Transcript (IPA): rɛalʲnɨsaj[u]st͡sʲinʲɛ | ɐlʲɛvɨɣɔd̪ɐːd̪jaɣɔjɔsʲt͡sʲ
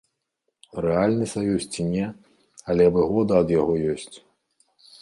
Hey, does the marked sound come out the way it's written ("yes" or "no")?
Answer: yes